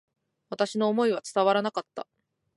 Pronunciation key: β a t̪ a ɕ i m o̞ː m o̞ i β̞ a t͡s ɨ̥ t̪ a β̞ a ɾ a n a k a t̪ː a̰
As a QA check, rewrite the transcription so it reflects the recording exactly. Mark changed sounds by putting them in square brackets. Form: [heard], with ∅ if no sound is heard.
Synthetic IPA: β a t̪ a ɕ i [n] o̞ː m o̞ i β̞ a t͡s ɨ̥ t̪ a β̞ a ɾ a n a k a t̪ː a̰